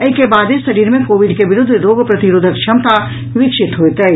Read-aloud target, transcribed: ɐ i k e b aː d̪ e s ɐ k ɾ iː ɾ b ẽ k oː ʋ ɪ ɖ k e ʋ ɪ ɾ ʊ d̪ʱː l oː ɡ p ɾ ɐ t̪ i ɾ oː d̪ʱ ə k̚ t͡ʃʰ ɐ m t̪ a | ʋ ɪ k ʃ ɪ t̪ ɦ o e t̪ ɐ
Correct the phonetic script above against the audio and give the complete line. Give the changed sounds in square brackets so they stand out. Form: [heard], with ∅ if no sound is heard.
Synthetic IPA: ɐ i k e b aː d̪ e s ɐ [∅] ɾ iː ɾ [m] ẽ k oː ʋ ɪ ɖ k e ʋ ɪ ɾ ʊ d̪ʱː [ɾ] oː ɡ p ɾ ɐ t̪ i ɾ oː d̪ʱ ə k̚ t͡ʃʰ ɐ m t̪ a | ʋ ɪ k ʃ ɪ t̪ ɦ o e t̪ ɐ